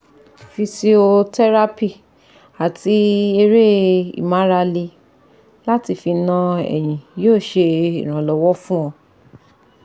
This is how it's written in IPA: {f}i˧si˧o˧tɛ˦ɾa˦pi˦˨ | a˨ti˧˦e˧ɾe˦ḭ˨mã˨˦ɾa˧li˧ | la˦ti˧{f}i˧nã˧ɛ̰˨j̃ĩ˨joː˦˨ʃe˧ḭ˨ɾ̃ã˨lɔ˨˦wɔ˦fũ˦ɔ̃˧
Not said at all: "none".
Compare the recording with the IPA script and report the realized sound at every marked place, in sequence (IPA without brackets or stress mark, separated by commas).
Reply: f, f